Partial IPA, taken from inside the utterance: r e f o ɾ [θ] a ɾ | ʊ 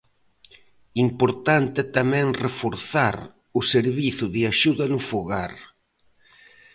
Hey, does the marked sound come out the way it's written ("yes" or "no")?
yes